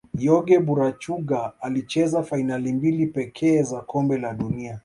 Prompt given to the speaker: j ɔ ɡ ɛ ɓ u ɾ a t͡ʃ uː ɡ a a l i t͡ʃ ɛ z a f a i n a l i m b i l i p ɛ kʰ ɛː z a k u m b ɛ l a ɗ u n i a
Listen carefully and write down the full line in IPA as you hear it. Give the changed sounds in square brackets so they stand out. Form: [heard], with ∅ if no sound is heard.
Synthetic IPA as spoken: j ɔ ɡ ɛ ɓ u ɾ a t͡ʃ [u] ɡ a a l i t͡ʃ ɛ z a f a i n a l i m b i l i p ɛ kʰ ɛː z a k [ɔ] m b ɛ l a ɗ u n i a